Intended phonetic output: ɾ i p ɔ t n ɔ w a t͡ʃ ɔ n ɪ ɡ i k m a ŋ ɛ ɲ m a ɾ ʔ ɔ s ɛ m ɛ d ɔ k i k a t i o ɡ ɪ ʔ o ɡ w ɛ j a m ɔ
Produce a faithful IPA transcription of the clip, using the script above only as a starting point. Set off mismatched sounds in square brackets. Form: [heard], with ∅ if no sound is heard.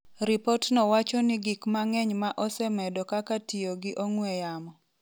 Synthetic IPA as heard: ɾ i p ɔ t n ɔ w a t͡ʃ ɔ n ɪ ɡ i k m a ŋ ɛ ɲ m a [∅] ʔ ɔ s ɛ m ɛ d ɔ k [a] k a t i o ɡ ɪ ʔ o [ŋ] w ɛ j a m ɔ